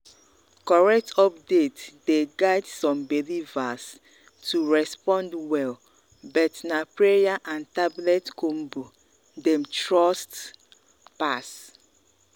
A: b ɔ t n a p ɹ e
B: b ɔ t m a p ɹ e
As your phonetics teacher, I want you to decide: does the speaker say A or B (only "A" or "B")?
A